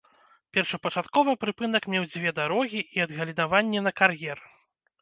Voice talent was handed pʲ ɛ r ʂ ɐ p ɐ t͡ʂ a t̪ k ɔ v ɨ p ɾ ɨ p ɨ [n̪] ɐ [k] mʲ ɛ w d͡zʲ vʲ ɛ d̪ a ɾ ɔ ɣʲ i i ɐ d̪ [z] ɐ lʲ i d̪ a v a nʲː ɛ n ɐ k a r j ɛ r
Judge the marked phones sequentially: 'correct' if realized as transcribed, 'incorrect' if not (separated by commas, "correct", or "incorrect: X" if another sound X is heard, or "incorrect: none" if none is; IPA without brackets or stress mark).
correct, correct, incorrect: ɣ